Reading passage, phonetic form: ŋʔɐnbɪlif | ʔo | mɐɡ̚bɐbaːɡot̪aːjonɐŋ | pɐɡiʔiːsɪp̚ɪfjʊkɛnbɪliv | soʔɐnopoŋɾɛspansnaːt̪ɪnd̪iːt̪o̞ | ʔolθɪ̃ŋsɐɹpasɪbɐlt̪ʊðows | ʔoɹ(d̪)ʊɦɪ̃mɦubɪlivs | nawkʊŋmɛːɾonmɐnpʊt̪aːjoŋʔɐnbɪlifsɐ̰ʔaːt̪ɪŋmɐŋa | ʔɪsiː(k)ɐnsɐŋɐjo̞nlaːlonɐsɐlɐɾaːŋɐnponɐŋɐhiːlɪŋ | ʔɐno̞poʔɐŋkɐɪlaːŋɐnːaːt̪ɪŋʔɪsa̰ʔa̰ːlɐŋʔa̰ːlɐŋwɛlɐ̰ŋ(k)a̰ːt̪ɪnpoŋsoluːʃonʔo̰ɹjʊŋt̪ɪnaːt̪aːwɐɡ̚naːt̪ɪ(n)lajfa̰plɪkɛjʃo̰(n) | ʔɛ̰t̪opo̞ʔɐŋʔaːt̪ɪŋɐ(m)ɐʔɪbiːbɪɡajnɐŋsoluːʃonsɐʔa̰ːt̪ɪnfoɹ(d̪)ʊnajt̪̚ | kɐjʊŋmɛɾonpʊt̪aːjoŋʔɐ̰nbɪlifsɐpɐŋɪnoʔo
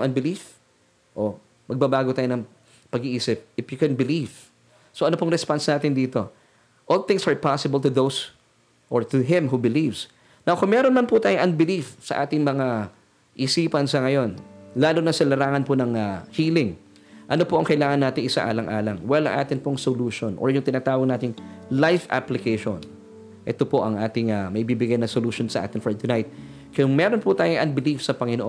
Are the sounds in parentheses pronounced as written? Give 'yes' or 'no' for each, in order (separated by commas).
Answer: no, no, no, no, yes, yes, no